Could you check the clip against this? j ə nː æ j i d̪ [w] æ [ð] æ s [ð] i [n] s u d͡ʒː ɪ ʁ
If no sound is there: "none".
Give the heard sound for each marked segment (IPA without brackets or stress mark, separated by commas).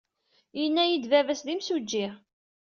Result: v, v, ð, m